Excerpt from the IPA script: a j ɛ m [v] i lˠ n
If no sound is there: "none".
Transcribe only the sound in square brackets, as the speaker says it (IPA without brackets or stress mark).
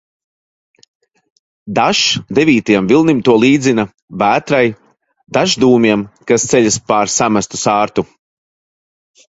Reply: v